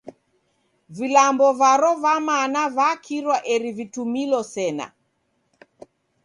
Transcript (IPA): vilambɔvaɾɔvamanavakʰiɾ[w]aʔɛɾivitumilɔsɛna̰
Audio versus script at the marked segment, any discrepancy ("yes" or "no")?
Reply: no